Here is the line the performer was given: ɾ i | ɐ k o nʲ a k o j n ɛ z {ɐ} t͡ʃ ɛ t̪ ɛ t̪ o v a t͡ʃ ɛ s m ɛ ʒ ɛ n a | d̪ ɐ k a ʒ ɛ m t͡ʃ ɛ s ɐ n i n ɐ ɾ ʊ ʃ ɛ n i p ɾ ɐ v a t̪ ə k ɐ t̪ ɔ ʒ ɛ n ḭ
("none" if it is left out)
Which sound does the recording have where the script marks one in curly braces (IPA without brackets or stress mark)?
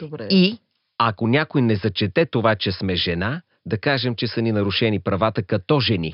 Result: ɐ